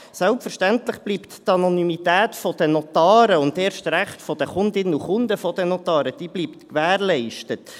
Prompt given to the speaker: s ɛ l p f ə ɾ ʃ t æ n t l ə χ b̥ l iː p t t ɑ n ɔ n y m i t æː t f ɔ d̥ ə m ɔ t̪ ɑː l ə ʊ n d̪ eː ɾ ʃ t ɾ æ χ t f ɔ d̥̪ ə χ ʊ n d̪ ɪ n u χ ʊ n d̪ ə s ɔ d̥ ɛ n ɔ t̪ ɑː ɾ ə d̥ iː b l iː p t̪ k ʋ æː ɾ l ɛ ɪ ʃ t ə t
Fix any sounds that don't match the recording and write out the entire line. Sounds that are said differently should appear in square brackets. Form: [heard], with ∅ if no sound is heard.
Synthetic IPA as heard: s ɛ l p f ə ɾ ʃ t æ n t l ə χ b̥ l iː p t t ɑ n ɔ n y m i t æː t f ɔ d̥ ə [n] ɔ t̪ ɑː [ɾ] ə ʊ n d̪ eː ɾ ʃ t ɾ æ χ t f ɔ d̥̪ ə χ ʊ n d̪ ɪ n u χ ʊ n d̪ ə [f] ɔ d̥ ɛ n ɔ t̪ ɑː ɾ ə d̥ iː b l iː p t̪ k ʋ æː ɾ l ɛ ɪ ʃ t ə t